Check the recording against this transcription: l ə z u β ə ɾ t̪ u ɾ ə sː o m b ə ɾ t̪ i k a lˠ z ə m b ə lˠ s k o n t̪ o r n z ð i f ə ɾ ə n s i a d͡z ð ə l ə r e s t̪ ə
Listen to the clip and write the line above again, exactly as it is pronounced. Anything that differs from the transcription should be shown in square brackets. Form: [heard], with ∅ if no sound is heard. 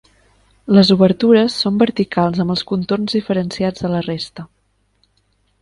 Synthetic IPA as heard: l ə z u β ə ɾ t̪ u ɾ ə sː o m b ə ɾ t̪ i k a lˠ z ə m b ə lˠ s k [u] n t̪ o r n z ð i f ə ɾ ə n s i a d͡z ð ə l ə r e s t̪ ə